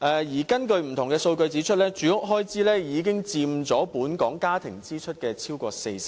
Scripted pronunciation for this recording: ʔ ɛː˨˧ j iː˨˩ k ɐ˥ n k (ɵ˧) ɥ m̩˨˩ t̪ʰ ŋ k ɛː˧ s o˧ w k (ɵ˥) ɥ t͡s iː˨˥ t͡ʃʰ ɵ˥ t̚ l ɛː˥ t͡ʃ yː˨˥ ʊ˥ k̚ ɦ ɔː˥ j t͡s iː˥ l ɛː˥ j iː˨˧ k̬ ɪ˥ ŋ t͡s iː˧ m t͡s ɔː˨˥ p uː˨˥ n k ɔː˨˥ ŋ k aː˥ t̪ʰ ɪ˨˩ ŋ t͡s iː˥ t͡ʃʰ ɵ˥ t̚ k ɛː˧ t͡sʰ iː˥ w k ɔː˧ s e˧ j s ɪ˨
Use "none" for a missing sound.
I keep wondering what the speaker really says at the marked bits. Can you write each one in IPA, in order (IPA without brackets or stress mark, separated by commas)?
ɵ˧, ɵ˧